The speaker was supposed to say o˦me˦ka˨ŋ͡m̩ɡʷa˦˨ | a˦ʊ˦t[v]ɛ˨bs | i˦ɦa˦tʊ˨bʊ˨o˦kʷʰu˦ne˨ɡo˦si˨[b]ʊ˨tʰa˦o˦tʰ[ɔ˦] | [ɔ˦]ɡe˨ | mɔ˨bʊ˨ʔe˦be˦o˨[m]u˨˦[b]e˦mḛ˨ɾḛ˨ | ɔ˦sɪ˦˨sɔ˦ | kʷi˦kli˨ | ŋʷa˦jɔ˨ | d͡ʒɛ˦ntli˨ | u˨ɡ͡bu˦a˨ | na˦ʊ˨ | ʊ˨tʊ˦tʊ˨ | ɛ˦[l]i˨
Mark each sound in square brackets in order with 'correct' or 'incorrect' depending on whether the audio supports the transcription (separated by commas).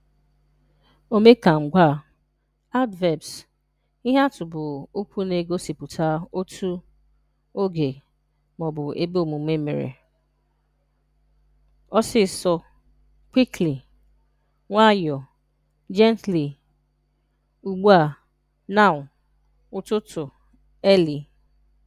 correct, incorrect, incorrect, incorrect, correct, incorrect, correct